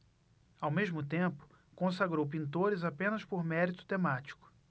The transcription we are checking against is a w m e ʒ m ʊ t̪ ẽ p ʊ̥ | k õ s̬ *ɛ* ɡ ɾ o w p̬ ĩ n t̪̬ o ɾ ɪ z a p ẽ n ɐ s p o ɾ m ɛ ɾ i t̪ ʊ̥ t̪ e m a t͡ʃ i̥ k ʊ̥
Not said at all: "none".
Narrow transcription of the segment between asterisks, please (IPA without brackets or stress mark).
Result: a